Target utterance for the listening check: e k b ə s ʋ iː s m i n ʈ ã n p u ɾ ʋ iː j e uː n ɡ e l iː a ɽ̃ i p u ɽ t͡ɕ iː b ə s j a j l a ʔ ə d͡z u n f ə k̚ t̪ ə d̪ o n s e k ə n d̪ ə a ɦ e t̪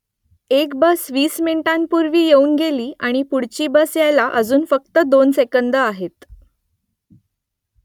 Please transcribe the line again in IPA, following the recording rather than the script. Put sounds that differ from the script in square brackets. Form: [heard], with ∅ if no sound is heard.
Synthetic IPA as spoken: e k b ə s ʋ iː s m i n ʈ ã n p u ɾ ʋ iː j e uː n ɡ e l iː a ɽ̃ i p u ɽ t͡ɕ iː b ə s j a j l a ʔ ə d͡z [uː] n f ə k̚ t̪ ə d̪ o n s e k ə n d̪ ə a ɦ e t̪